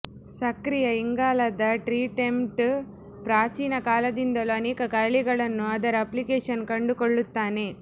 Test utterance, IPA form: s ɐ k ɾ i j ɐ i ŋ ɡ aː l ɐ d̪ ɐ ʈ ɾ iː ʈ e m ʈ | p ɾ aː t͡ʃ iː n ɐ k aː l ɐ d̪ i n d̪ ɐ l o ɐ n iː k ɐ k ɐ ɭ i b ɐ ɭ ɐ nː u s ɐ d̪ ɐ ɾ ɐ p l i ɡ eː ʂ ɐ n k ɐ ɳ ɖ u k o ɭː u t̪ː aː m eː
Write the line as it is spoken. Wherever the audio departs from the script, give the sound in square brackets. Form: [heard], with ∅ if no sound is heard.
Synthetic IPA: s ɐ k ɾ i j ɐ i ŋ ɡ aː l ɐ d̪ ɐ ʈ ɾ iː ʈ e m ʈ | p ɾ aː t͡ʃ iː n ɐ k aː l ɐ d̪ i n d̪ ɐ l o ɐ n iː k ɐ k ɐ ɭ i [ɡ] ɐ ɭ ɐ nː u [∅] ɐ d̪ ɐ ɾ ɐ p l i [k] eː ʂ ɐ n k ɐ ɳ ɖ u k o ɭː u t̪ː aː [n] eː